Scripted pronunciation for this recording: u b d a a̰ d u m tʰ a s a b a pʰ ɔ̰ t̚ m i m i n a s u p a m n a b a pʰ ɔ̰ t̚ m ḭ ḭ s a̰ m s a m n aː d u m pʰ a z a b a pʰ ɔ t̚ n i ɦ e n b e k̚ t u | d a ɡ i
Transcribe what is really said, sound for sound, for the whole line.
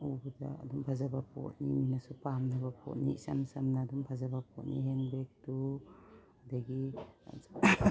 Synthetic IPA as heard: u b d a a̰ d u m pʰ a z a b a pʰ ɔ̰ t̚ n i m i n a s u p a m n a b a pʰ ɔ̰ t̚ n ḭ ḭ s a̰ m s a m n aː d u m pʰ a z a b a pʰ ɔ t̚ n i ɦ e n b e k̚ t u | d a ɡ i